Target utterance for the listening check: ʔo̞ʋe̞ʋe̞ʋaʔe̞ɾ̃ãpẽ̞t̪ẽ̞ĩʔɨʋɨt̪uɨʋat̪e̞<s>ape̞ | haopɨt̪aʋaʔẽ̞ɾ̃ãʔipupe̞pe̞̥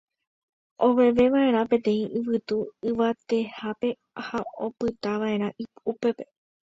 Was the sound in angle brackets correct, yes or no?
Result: no